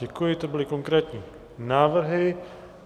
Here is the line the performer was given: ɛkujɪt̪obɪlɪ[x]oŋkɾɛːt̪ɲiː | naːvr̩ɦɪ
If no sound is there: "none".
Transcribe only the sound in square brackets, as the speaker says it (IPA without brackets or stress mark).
k